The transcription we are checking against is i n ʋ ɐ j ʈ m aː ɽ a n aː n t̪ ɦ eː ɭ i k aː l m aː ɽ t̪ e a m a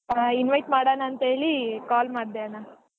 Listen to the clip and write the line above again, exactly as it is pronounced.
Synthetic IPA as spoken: i n ʋ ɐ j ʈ m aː ɽ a n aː n t̪ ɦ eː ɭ i k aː l m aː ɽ d̪ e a n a

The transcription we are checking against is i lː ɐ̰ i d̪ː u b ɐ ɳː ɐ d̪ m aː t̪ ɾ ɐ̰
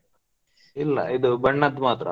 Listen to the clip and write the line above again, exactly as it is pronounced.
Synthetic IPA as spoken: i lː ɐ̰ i d̪ u b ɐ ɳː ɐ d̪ m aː t̪ ɾ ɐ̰

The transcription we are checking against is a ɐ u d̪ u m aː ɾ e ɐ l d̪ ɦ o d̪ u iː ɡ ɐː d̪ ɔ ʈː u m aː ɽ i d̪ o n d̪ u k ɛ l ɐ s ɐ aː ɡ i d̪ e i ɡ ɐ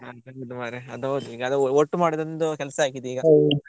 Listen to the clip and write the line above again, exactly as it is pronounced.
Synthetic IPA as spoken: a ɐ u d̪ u m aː ɾ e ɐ d̪ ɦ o d̪ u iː ɡ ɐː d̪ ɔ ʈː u m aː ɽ i d̪ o n d̪ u k ɛ l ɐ s ɐ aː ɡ i d̪ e iː ɡ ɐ

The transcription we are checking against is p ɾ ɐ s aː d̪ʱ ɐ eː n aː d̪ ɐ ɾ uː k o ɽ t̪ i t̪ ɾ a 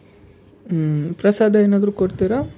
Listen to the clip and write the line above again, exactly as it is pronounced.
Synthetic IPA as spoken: p ɾ ɐ s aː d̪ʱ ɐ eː n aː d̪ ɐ ɾ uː k o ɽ t̪ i ɾ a

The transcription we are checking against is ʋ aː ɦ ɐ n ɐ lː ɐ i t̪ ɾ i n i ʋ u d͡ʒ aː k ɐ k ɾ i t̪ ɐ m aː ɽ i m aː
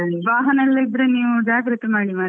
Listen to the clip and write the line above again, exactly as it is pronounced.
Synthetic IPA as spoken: ʋ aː ɦ ɐ n ɐ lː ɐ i d̪ ɾ e n iː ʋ u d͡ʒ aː k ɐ ɾ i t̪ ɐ m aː ɽ i m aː

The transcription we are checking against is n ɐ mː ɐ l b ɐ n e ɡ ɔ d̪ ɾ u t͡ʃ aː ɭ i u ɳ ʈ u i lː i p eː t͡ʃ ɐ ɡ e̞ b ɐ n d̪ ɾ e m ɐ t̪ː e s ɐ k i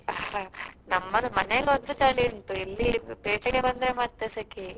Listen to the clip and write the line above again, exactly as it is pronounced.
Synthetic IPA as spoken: n ɐ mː ɐ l m ɐ n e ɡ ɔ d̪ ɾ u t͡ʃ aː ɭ i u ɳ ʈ u i lː i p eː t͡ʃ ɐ ɡ e̞ b ɐ n d̪ ɾ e m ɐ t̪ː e s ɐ k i

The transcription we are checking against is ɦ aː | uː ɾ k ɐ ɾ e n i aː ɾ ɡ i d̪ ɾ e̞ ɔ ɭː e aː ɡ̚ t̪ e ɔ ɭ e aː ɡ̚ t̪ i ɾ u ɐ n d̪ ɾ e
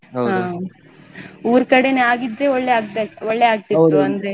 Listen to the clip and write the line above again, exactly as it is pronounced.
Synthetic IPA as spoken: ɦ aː | uː ɾ k ɐ ɽ e n e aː ɡ i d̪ ɾ e̞ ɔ ɭː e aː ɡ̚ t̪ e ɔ ɭː e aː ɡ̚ t̪ i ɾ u ɐ n d̪ ɾ e

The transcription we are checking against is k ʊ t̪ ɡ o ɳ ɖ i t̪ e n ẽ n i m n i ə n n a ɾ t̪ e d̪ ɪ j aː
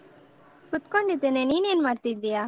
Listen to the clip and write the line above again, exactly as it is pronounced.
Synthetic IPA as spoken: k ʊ t̪ k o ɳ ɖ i t̪ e n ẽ n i n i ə n m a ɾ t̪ i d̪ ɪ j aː

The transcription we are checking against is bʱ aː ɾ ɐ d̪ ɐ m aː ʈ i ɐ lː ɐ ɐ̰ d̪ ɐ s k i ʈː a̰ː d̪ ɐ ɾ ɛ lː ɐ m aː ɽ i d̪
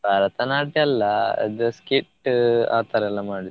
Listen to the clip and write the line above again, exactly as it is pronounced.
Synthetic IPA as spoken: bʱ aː ɾ ɐ t̪ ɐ n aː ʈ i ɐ lː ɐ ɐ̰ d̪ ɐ s k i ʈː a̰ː t̪ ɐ ɾ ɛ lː ɐ m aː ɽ i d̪

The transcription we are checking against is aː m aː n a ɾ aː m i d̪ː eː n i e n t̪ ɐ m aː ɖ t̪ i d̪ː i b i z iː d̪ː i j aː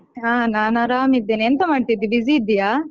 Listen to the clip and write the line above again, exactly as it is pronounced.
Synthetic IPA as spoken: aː n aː n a ɾ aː m i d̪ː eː n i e n t̪ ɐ m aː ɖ t̪ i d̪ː i b i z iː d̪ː i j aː

